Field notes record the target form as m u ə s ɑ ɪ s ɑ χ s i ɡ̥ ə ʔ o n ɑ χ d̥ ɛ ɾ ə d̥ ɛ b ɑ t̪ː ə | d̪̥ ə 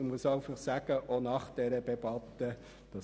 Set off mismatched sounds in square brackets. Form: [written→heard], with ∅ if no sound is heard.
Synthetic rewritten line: m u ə s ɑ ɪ [s→f] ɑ χ s [i→æ] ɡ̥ ə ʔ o n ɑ χ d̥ ɛ ɾ ə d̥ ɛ b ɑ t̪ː ə | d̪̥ [ə→ɑ]